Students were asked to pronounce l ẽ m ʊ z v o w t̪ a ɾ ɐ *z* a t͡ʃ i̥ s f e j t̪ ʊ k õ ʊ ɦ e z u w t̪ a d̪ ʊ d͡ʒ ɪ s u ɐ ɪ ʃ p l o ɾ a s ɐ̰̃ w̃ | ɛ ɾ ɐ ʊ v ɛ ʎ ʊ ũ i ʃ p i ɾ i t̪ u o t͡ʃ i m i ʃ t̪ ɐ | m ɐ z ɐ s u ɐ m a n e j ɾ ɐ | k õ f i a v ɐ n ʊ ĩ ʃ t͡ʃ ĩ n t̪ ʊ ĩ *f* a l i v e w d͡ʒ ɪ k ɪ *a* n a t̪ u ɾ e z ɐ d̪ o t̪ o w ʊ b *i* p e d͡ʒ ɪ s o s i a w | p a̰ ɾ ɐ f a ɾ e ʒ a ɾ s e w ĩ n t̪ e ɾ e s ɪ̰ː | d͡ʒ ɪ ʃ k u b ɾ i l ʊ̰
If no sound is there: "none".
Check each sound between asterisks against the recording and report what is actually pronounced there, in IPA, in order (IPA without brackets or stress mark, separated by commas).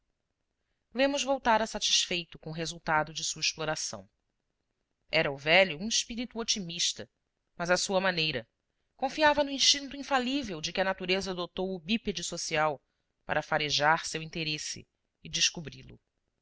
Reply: s, f, ɐ, i